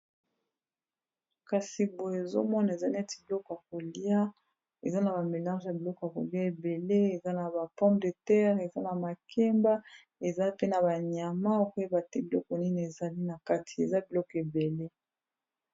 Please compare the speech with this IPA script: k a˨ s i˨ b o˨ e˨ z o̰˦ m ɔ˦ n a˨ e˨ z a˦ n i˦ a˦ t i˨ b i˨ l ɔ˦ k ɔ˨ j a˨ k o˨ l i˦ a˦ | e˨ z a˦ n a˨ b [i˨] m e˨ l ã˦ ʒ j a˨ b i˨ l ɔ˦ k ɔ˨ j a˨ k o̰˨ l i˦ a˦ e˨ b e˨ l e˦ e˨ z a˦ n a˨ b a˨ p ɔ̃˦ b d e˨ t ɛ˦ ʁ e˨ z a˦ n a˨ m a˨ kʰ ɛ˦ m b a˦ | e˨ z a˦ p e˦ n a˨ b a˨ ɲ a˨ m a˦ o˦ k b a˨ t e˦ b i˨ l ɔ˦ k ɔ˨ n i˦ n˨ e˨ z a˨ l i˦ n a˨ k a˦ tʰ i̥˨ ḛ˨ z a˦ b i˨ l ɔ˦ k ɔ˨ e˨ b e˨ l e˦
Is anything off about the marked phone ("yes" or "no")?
yes